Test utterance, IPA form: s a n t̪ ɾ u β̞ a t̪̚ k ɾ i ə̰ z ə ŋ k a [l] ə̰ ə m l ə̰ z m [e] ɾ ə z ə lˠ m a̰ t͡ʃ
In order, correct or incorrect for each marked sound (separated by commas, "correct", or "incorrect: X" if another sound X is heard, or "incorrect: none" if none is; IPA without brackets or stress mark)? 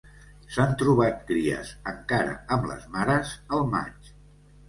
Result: incorrect: ɾ, incorrect: a